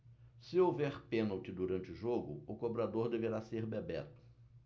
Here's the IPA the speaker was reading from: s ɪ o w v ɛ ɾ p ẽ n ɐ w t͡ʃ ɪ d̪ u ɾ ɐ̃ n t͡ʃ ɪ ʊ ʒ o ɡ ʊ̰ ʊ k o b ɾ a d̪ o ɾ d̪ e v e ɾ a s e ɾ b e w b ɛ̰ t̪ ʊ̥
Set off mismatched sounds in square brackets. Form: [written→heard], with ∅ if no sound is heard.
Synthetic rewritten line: s ɪ o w v ɛ ɾ p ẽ n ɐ w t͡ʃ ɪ d̪ u ɾ ɐ̃ n t͡ʃ ɪ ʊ ʒ o ɡ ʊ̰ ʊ k o b ɾ a d̪ o ɾ d̪ e v e ɾ a s e ɾ b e [w→∅] b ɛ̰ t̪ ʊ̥